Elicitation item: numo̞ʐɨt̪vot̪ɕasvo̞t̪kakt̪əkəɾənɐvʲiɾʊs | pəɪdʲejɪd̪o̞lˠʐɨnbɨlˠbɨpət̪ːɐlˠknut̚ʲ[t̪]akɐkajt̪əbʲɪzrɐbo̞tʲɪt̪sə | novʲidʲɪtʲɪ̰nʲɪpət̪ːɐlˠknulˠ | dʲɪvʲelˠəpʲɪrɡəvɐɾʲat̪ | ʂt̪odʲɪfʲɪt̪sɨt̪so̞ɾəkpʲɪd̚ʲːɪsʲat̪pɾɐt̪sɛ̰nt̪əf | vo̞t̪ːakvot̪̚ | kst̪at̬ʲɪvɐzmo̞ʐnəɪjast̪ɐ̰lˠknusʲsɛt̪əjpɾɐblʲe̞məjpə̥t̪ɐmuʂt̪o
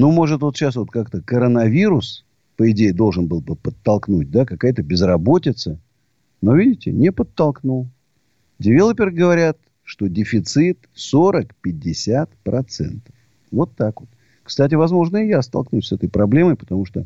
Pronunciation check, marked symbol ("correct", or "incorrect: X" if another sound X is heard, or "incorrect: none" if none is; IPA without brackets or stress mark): incorrect: d̪